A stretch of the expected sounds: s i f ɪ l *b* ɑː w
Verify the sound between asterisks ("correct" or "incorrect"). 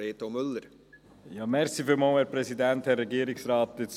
incorrect